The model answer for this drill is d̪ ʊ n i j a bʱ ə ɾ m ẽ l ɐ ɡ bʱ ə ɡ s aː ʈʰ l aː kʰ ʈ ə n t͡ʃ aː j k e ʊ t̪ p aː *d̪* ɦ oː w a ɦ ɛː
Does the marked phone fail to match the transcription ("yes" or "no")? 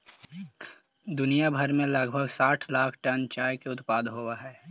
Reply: no